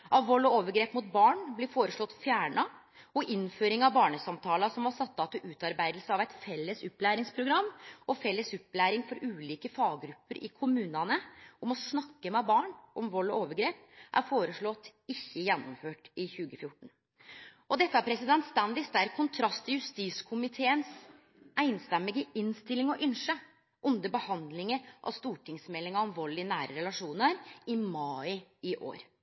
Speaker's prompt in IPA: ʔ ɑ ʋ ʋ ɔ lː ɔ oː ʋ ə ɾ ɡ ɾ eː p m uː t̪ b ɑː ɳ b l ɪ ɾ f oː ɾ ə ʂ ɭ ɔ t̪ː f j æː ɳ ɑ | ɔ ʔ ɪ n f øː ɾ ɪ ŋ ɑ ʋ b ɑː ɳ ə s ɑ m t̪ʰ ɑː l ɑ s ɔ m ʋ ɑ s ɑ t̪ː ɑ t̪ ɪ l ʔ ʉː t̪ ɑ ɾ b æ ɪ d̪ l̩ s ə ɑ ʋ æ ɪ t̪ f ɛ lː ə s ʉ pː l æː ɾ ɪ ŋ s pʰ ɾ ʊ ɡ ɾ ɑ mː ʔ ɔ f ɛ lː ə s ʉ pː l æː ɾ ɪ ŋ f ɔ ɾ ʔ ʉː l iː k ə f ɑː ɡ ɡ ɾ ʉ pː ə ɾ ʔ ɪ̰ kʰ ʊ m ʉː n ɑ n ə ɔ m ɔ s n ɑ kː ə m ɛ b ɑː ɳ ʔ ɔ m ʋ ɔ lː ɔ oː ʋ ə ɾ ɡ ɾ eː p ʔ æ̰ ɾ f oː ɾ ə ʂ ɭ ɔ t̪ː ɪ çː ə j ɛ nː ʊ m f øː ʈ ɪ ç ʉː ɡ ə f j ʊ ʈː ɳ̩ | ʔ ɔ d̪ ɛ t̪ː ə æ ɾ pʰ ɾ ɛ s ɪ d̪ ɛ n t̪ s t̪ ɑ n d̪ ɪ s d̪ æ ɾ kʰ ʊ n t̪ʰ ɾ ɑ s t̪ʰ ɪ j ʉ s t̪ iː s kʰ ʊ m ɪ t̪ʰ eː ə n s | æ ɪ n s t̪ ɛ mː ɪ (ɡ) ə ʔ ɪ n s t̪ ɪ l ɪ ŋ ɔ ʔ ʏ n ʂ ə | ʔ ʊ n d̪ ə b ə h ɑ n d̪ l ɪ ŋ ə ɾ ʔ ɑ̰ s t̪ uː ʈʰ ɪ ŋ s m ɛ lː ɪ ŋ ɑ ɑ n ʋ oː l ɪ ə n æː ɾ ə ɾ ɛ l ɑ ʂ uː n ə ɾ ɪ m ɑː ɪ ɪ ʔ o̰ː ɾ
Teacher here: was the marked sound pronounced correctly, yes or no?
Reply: yes